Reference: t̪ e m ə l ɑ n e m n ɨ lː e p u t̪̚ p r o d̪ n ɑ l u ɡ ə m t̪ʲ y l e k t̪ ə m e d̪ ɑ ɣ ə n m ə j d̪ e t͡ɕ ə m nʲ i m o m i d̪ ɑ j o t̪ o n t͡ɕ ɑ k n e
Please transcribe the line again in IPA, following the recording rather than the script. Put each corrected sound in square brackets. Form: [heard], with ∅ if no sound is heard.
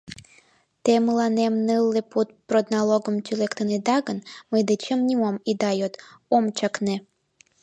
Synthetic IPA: t̪ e m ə l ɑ n e m n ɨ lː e p u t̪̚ p r o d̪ n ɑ l [o] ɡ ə m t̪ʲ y l e k t̪ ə [n] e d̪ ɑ ɣ ə n m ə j d̪ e t͡ɕ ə m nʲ i m o m i d̪ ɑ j o t̪ o [m] t͡ɕ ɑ k n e